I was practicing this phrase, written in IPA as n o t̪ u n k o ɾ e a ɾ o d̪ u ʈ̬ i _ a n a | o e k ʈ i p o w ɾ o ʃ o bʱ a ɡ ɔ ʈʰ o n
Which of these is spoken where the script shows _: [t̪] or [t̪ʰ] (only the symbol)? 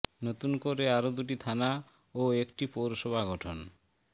t̪ʰ